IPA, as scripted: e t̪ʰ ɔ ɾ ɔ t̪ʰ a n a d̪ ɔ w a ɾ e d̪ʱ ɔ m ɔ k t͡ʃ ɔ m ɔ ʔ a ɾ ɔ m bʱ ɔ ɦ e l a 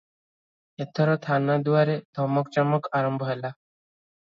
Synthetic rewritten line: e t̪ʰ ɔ ɾ ɔ t̪ʰ a n a d̪ u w a ɾ e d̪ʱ ɔ m ɔ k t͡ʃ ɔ m ɔ k a ɾ ɔ m bʱ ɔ ɦ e l a